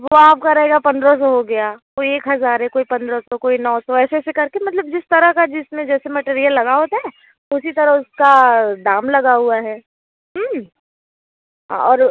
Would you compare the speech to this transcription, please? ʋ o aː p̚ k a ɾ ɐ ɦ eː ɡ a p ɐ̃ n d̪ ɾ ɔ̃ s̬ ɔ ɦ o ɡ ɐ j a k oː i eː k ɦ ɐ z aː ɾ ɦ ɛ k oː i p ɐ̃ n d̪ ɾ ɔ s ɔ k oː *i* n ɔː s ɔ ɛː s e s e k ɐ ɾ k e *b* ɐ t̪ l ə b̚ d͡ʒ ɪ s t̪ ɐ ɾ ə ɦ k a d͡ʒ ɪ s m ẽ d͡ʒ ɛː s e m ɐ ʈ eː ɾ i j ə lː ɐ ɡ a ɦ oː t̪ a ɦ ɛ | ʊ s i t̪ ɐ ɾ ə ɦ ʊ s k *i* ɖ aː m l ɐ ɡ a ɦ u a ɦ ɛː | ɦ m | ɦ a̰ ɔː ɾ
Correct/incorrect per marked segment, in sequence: correct, incorrect: m, incorrect: a

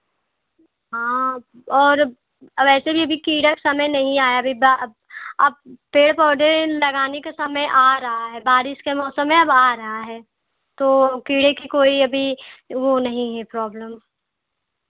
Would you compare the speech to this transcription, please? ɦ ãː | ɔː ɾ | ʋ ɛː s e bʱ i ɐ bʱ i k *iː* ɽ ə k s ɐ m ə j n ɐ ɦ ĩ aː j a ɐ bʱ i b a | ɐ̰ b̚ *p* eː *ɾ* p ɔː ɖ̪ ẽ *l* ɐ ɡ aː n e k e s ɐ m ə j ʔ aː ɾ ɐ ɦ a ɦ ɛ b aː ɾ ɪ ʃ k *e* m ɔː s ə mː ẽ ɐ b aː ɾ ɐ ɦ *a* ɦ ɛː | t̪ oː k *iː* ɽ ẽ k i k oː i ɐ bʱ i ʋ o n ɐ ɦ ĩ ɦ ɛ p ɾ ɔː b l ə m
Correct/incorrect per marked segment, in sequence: correct, correct, incorrect: ɽ, correct, correct, correct, correct

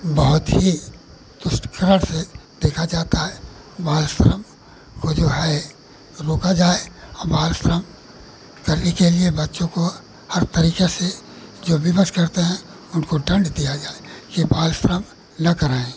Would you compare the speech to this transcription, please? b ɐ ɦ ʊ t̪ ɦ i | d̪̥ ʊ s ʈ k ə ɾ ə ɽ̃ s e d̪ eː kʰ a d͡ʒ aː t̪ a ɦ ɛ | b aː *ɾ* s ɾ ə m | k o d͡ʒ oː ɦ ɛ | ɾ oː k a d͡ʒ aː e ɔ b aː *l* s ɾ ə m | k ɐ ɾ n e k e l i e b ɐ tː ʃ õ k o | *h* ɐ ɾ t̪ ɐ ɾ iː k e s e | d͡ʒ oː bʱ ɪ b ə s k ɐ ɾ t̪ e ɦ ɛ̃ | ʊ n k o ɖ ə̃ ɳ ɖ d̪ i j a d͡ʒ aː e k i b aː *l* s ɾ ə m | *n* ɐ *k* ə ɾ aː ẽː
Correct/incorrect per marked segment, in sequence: incorrect: l, correct, correct, correct, correct, correct

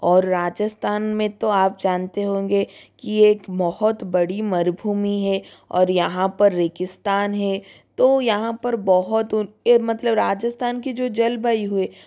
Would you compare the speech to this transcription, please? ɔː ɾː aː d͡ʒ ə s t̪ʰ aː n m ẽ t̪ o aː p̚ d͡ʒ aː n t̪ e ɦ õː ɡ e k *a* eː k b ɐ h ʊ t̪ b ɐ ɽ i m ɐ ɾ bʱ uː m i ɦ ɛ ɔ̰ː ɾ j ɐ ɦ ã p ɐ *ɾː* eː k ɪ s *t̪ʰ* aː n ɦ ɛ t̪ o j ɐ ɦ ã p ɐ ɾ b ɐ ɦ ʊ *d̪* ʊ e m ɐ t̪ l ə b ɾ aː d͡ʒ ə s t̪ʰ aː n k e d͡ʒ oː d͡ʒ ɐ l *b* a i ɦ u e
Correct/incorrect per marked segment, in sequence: incorrect: i, correct, incorrect: t̪, incorrect: t̪, correct

